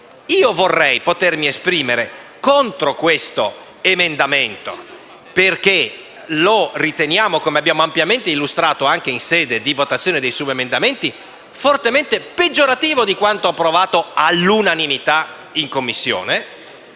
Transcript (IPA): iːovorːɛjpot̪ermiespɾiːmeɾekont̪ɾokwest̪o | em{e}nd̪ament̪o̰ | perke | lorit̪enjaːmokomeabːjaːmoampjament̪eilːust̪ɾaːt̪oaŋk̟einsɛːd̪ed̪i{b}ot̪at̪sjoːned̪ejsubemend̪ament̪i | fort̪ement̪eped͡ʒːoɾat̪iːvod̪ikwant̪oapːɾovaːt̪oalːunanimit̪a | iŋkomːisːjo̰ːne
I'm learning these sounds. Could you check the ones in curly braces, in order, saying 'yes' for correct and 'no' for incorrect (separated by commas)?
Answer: yes, no